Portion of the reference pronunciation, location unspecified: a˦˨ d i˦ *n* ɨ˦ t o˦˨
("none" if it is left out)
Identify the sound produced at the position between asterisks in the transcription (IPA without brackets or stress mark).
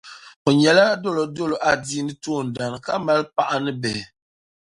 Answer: n